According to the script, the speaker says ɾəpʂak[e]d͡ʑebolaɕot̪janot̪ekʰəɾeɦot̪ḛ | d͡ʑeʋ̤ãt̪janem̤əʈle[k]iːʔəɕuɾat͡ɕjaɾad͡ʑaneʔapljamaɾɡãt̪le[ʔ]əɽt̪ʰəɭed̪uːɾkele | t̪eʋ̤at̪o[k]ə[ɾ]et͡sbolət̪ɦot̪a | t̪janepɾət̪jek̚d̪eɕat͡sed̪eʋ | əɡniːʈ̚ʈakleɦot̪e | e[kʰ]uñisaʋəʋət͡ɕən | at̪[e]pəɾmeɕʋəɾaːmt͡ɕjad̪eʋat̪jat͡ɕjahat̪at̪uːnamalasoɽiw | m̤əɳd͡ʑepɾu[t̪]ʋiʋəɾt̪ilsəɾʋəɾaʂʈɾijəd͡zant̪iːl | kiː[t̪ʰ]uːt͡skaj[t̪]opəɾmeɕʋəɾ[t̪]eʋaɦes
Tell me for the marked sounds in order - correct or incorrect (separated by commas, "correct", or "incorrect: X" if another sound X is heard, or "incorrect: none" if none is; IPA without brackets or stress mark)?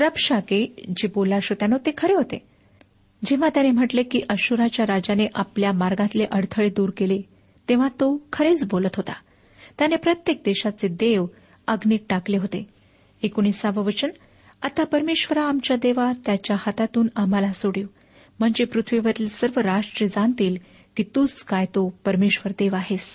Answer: correct, correct, correct, incorrect: kʰ, correct, incorrect: k, incorrect: a, incorrect: t̪ʰ, incorrect: t̪, correct, incorrect: d̪